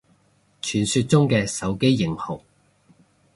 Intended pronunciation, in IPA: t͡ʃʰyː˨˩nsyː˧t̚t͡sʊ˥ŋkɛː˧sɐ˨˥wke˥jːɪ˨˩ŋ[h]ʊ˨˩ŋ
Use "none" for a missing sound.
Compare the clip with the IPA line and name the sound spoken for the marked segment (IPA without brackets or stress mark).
h